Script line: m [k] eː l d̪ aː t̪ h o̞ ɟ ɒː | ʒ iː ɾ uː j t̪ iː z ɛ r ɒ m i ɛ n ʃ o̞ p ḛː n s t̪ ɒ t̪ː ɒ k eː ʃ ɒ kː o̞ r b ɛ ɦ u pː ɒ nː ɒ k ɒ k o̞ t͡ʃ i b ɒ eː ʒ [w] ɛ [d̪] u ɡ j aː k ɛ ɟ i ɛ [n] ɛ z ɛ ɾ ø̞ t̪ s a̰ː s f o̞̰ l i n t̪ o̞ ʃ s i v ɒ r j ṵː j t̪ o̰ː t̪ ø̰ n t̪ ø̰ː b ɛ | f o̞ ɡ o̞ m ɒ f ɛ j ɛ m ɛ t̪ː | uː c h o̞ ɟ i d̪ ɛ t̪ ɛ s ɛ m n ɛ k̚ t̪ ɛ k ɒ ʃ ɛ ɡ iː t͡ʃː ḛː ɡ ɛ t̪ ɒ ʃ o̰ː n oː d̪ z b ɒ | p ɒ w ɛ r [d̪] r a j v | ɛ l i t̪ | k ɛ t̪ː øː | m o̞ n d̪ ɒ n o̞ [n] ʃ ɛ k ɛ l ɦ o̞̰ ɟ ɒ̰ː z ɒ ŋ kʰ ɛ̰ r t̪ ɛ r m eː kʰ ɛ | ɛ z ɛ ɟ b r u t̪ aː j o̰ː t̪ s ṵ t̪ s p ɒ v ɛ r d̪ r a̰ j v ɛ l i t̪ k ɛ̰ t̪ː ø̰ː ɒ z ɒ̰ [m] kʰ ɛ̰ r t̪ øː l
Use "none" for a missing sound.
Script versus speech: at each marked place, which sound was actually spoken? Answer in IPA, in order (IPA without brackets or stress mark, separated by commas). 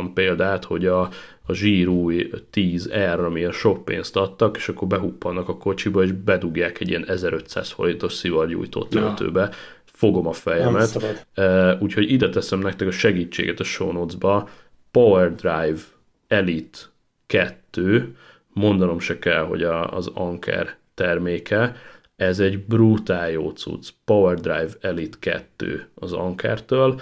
p, b, d̪, n, d̪, m, ŋ